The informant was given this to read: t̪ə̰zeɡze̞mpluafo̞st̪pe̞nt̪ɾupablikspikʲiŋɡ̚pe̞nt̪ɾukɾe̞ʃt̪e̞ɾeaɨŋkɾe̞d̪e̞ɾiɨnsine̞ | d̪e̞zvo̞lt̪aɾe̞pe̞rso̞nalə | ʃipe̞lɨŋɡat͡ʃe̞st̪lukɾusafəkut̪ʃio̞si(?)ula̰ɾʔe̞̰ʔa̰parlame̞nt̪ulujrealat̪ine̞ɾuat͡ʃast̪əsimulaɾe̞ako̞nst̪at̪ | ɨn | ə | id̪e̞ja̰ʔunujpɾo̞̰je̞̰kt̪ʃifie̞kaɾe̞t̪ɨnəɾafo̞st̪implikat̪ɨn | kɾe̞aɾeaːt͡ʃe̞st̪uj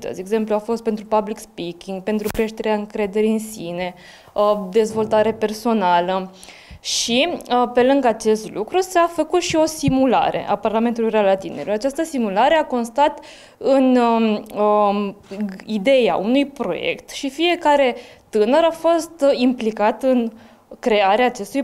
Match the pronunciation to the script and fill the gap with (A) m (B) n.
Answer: A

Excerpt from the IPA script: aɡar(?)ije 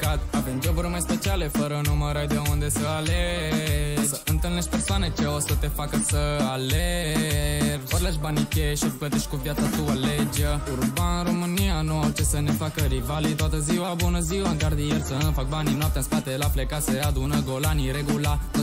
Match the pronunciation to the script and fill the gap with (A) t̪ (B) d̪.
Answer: B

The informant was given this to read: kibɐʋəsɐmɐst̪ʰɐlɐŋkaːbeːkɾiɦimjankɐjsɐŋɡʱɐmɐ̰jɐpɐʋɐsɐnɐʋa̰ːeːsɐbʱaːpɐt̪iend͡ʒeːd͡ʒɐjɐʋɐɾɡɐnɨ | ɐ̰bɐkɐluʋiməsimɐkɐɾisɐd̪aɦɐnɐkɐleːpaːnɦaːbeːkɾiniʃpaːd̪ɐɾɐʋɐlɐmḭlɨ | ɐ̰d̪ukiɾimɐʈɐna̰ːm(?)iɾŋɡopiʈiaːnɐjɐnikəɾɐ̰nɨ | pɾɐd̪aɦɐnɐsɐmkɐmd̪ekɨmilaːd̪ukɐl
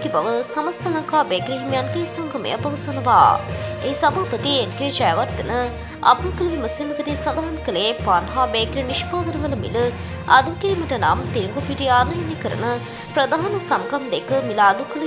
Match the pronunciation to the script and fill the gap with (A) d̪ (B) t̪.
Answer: B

